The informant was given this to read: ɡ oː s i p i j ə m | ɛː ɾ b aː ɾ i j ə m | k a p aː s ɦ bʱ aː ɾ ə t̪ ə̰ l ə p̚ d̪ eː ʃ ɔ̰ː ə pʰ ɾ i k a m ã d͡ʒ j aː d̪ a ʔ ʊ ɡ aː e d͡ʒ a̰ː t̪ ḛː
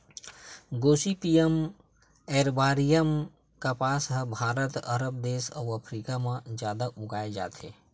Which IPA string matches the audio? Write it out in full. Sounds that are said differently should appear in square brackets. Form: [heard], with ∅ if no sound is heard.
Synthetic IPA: ɡ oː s i p i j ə m | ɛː ɾ b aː ɾ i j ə m | k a p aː s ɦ bʱ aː ɾ ə t̪ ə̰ [ɾ] ə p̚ d̪ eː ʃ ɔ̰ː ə pʰ ɾ i k a m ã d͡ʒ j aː d̪ a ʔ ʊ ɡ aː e d͡ʒ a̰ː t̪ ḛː